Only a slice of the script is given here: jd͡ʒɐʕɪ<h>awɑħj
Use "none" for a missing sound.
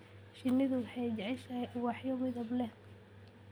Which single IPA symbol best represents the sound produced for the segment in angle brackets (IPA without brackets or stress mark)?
ʃ